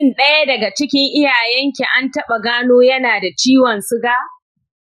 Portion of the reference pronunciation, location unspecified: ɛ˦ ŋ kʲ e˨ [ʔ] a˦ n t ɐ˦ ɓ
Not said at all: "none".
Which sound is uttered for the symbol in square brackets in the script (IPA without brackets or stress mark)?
ʔ